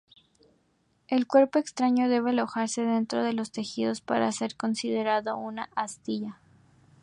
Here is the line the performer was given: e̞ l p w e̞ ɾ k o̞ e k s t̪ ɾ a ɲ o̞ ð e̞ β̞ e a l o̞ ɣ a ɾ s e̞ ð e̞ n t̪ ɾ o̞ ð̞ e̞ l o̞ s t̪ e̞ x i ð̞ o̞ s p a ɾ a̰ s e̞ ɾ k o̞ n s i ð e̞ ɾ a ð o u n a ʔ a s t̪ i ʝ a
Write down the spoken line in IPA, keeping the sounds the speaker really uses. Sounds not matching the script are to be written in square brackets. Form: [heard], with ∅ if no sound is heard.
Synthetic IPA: e̞ l [k] w e̞ ɾ [p] o̞ e k s t̪ ɾ a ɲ o̞ ð e̞ β̞ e a l o̞ [x] a ɾ s e̞ ð e̞ n t̪ ɾ o̞ ð̞ e̞ l o̞ s t̪ e̞ x i ð̞ o̞ s p a ɾ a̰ s e̞ ɾ k o̞ n s i ð e̞ ɾ a ð o u n a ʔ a s t̪ i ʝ a